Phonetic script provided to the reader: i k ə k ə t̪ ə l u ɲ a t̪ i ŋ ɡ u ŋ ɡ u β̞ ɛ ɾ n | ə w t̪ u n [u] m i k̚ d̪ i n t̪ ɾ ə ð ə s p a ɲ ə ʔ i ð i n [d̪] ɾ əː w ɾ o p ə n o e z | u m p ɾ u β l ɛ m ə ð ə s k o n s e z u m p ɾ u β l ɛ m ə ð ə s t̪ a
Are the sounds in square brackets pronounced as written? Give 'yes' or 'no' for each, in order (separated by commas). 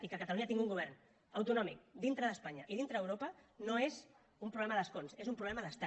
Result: no, no